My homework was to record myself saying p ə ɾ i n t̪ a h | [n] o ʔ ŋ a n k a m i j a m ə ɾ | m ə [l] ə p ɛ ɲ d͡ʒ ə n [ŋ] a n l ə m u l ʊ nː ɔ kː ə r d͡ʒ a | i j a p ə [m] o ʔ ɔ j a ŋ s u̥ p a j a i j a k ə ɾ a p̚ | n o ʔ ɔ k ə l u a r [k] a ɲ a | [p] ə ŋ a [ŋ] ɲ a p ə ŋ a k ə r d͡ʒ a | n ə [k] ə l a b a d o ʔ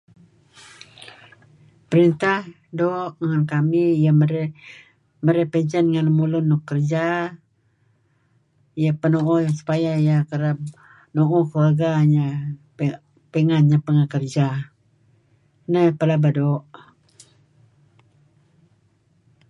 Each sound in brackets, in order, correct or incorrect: incorrect: d, incorrect: ɾ, correct, incorrect: n, incorrect: ɡ, correct, incorrect: n, incorrect: p

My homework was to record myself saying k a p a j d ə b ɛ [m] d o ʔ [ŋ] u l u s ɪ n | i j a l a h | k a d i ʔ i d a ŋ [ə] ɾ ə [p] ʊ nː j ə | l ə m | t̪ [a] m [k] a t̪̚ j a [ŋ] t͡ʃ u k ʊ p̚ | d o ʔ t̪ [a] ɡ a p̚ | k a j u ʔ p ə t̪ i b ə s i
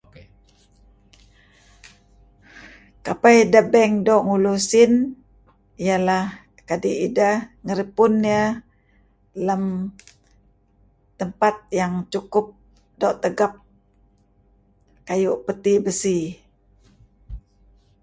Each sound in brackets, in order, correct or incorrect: incorrect: ŋ, correct, correct, correct, incorrect: ə, incorrect: p, correct, incorrect: ə

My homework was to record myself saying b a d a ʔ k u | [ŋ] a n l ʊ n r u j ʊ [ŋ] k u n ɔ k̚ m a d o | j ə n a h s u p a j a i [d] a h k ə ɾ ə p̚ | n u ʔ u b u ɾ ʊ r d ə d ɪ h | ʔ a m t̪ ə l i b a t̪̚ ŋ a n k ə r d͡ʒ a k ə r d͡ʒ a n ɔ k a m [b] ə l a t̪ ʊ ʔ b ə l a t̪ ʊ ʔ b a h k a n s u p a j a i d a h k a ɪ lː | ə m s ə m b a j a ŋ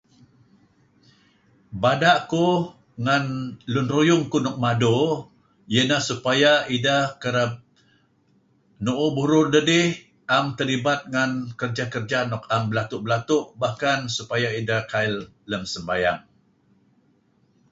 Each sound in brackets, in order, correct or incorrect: correct, correct, correct, correct

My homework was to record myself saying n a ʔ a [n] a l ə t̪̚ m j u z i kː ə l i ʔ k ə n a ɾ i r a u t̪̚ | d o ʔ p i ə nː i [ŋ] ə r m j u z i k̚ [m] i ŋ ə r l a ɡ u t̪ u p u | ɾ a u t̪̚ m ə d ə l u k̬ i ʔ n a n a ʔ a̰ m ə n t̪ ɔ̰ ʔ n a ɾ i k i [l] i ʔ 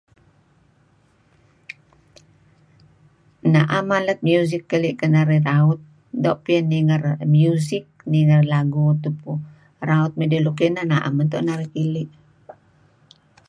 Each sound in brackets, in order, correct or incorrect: incorrect: m, correct, incorrect: n, correct

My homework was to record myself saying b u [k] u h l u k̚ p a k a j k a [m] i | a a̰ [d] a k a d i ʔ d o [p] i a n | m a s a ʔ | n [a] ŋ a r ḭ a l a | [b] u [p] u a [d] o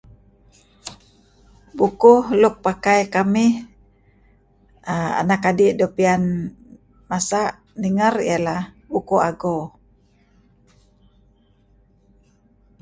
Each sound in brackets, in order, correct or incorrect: correct, correct, incorrect: n, correct, incorrect: i, correct, incorrect: k, incorrect: ɡ

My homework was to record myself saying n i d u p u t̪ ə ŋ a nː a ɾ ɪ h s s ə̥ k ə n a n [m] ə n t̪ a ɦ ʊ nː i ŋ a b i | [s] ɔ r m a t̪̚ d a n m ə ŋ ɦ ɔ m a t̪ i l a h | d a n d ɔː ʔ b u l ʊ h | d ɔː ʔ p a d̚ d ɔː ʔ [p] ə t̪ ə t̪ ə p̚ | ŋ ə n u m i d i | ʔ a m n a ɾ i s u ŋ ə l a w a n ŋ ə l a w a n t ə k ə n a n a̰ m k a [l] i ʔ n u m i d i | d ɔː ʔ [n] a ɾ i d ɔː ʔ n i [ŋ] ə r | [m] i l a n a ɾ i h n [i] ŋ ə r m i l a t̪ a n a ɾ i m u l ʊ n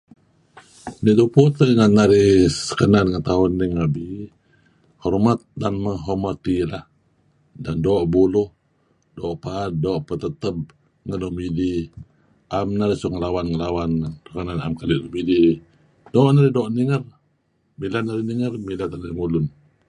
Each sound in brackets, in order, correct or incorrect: incorrect: ŋ, incorrect: h, correct, correct, correct, correct, correct, correct

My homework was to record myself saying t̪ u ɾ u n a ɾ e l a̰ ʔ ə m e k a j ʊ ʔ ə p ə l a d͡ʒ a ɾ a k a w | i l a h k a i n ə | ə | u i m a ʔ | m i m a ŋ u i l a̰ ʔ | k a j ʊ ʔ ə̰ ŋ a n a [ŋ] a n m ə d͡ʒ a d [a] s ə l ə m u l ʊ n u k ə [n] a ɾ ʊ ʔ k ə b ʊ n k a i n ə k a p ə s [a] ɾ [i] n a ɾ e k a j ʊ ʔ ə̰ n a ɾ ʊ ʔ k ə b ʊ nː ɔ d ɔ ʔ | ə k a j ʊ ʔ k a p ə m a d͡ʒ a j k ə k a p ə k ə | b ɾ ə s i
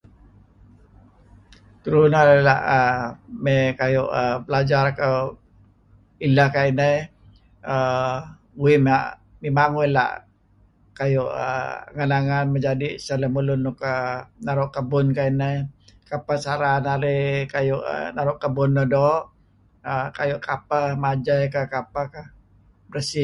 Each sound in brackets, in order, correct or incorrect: correct, incorrect: i, correct, correct, incorrect: a

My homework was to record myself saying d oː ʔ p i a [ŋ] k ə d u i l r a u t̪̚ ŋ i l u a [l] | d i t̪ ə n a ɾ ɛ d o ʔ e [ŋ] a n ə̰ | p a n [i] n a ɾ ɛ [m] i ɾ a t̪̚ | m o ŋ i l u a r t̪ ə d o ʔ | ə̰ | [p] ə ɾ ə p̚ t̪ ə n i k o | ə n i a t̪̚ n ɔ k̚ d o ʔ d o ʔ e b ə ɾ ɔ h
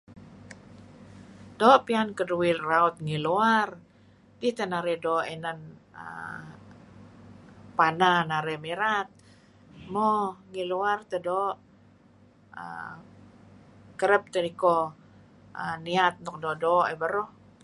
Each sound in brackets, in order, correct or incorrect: incorrect: n, incorrect: r, incorrect: n, incorrect: a, correct, incorrect: k

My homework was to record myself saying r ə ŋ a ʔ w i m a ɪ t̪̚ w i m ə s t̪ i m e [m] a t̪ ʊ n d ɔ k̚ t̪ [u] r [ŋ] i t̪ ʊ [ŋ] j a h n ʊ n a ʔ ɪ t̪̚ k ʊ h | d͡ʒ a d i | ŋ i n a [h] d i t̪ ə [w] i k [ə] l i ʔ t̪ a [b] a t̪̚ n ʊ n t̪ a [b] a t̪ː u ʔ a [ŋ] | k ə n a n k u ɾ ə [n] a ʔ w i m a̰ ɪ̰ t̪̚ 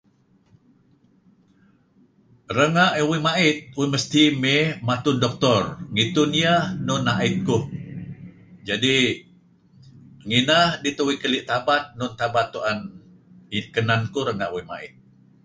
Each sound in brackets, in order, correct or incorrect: correct, incorrect: ɔ, correct, incorrect: n, correct, correct, correct, correct, correct, incorrect: n, incorrect: ŋ

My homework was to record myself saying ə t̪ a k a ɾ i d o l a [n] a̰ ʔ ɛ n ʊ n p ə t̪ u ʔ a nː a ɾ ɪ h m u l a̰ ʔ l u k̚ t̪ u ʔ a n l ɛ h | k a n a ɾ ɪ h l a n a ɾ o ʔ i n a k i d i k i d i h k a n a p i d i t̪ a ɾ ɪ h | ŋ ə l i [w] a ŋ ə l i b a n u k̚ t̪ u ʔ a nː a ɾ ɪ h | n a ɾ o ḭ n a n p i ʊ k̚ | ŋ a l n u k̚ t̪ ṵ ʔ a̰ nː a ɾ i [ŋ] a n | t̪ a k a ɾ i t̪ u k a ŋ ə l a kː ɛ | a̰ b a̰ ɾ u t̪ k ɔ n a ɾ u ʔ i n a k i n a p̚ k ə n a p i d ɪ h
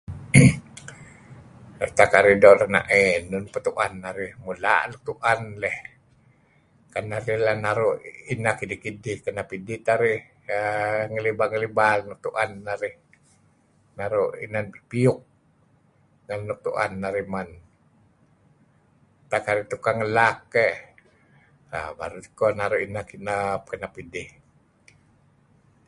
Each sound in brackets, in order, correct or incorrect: correct, incorrect: b, incorrect: m

